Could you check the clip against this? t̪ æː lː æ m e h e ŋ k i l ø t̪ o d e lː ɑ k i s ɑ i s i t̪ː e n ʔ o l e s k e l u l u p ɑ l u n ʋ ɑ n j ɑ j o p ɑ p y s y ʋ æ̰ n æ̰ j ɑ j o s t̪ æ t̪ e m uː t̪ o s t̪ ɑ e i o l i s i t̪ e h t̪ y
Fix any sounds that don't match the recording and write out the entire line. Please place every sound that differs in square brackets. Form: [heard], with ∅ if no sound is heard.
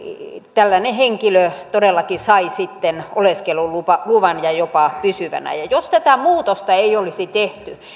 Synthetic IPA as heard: t̪ [æ] lː æ [n] e h e ŋ k i l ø t̪ o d e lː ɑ k i s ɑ i s i t̪ː e n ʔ o l e s k e l u l u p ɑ l u [∅] ʋ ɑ n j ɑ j o p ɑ p y s y ʋ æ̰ n æ̰ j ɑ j o s t̪ æ t̪ [æ] m uː t̪ o s t̪ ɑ e i o l i s i t̪ e h t̪ y